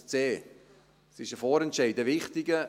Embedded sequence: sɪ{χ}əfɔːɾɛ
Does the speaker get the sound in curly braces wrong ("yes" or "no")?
yes